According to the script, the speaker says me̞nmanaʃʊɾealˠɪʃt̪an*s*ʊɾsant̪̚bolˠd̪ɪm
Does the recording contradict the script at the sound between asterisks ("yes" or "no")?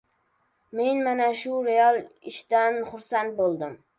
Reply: yes